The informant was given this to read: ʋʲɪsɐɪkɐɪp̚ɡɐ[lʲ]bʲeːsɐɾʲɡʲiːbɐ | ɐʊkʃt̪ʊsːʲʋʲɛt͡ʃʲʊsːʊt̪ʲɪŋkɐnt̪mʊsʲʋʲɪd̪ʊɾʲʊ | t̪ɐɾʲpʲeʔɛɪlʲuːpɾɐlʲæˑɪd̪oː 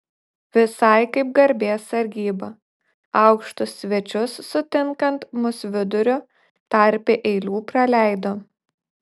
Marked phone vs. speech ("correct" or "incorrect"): incorrect